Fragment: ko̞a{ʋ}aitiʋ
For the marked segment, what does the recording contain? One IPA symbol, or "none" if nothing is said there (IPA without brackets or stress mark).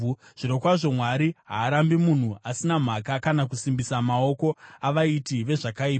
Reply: ʋ